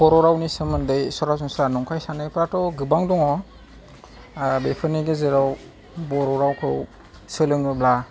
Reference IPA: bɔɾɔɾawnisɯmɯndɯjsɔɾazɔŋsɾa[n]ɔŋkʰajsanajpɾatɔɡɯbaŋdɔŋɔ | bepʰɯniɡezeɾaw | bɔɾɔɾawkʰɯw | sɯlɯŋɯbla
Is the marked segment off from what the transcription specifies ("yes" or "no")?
no